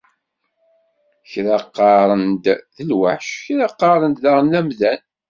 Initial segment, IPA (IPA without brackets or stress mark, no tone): ç